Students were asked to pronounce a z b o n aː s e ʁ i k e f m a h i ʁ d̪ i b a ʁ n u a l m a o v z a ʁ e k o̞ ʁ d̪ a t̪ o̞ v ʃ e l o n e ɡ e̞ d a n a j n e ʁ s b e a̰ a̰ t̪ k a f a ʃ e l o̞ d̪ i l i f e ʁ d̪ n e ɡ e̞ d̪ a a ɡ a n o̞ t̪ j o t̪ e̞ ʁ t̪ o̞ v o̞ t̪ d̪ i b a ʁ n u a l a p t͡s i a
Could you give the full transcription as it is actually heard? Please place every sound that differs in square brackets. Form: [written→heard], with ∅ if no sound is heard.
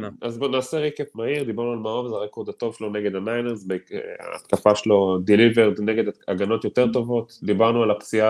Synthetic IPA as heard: a z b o n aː s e ʁ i k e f m a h i ʁ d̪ i b a ʁ n u a l m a o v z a ʁ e k o̞ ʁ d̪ a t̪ o̞ v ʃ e l o n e ɡ e̞ d a n a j n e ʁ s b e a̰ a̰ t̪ k a f a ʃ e l o̞ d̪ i l i [f→v] e ʁ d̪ n e ɡ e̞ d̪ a a ɡ a n o̞ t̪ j o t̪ e̞ ʁ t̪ o̞ v o̞ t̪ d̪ i b a ʁ n u a l a p t͡s i a